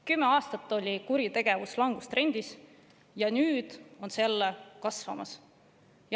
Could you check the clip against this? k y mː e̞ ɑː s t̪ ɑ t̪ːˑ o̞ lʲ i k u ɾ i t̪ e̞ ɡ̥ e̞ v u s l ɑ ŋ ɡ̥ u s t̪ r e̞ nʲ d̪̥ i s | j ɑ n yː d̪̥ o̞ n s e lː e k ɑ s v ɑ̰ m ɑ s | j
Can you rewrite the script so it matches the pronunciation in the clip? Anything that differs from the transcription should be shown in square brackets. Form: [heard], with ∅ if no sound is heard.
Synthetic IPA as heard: k y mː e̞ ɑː s t̪ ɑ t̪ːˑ o̞ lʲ i k u ɾ i t̪ e̞ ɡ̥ e̞ v u s l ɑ ŋ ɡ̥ u s t̪ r e̞ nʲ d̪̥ i s | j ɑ n yː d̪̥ o̞ n s e lː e k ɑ s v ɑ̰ m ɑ s | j